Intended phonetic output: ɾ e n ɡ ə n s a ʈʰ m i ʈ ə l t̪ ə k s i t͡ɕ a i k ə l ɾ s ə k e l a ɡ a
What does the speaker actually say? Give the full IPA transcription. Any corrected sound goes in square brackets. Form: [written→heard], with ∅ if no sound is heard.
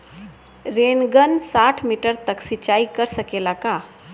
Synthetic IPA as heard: ɾ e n ɡ ə n s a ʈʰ m i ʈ ə [l→ɾ] t̪ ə k s i t͡ɕ a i k ə [l→∅] ɾ s ə k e l a [ɡ→k] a